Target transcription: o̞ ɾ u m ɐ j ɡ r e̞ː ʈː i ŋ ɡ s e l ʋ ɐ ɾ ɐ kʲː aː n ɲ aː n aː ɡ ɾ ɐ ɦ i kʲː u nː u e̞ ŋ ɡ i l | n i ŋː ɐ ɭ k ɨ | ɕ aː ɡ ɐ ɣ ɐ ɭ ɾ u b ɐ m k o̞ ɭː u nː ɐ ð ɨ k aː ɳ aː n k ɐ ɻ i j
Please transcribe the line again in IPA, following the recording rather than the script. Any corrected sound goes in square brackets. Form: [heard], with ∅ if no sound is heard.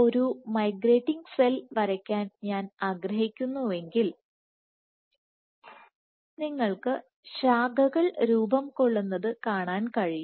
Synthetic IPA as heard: o̞ ɾ u m ɐ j ɡ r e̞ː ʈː i ŋ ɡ s e l ʋ ɐ ɾ ɐ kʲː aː n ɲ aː n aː ɡ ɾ ɐ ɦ i kʲː u nː u e̞ ŋ ɡ i l | n i ŋː ɐ ɭ k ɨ | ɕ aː ɡ ɐ ɣ ɐ ɭ ɾ [uː] b ɐ m k o̞ ɭː u nː ɐ ð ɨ k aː ɳ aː n k ɐ ɻ i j